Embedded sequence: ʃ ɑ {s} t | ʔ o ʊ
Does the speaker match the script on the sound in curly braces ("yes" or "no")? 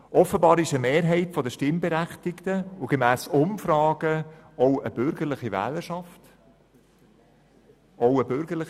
no